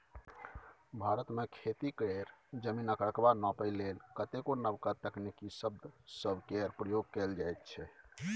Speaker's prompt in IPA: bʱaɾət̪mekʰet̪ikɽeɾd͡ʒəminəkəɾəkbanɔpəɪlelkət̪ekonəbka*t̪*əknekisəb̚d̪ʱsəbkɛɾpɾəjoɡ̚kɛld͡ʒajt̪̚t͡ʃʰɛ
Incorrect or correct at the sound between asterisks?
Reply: correct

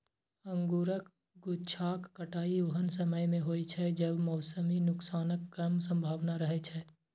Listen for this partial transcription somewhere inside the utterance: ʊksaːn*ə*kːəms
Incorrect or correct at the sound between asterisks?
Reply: correct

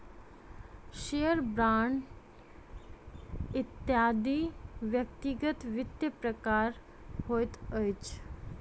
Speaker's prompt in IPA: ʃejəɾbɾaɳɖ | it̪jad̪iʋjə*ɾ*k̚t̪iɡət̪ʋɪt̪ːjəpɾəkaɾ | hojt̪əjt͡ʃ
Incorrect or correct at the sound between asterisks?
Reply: incorrect: none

